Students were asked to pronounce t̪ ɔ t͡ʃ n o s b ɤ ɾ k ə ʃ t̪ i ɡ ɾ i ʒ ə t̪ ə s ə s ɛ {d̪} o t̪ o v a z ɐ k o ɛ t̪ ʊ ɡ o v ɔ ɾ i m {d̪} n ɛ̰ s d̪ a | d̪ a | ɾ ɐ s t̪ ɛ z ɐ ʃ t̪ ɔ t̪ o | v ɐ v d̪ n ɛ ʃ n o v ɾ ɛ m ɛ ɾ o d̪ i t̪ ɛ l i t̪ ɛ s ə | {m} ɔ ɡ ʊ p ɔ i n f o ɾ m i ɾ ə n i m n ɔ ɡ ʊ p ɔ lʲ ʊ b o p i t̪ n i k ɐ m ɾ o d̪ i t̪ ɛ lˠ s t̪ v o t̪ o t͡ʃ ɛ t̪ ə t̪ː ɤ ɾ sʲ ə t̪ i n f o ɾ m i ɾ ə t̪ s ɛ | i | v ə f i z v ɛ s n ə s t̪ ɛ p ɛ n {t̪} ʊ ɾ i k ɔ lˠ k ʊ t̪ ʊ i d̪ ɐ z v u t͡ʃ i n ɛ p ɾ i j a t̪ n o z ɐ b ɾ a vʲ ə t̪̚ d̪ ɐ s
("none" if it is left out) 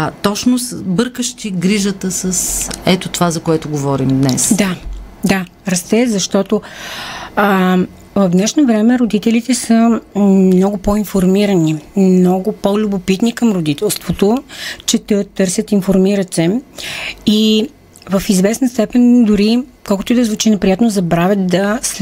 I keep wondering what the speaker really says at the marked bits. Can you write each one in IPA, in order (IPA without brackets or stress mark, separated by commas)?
t̪, d̪, n, d̪